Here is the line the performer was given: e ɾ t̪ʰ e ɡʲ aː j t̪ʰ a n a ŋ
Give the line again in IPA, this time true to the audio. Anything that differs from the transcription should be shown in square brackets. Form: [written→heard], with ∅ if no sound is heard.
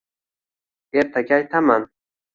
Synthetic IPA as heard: e ɾ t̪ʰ [e→a] ɡʲ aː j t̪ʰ a [n→m] a [ŋ→n]